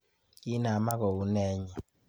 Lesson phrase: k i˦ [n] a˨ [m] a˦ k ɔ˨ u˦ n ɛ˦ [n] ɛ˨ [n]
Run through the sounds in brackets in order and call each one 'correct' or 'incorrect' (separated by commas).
correct, correct, incorrect, incorrect